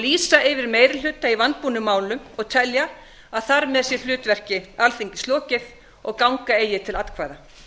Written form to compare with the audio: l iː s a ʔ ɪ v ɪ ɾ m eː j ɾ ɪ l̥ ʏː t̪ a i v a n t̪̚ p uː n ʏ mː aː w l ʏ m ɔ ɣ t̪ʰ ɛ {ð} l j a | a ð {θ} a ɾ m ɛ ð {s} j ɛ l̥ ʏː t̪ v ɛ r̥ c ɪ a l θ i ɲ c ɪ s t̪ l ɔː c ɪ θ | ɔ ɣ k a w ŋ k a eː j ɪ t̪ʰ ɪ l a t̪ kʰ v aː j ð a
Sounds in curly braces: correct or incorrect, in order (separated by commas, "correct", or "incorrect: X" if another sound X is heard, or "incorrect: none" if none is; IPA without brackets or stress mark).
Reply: incorrect: none, correct, correct